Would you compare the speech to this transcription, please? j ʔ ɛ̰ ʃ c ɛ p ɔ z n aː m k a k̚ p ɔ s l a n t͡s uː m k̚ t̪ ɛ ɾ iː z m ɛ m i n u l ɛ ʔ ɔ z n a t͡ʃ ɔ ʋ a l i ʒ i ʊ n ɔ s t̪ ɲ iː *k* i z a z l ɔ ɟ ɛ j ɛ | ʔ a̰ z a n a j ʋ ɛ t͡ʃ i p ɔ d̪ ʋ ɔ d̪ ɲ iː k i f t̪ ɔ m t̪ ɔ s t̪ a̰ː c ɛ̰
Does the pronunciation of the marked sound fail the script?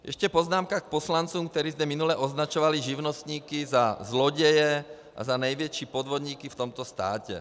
no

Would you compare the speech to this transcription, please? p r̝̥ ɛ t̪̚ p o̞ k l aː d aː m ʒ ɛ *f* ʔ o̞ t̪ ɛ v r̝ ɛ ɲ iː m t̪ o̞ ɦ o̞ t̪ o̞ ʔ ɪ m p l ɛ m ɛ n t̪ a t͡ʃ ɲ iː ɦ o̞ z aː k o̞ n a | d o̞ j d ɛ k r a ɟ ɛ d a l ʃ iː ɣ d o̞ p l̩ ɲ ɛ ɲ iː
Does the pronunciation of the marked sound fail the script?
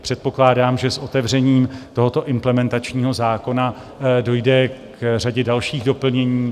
yes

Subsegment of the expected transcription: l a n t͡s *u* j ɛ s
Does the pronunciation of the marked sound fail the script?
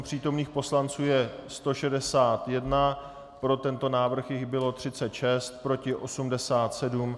yes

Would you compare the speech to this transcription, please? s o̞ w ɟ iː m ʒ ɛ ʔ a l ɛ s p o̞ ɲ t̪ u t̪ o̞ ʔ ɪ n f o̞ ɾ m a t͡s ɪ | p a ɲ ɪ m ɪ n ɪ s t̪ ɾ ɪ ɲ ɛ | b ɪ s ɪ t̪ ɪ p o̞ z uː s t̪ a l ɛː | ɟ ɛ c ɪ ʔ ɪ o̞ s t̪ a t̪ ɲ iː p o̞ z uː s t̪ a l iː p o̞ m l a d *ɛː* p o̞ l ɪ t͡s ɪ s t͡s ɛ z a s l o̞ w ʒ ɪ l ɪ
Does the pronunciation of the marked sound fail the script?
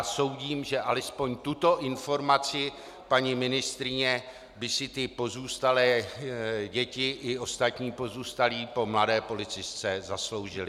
no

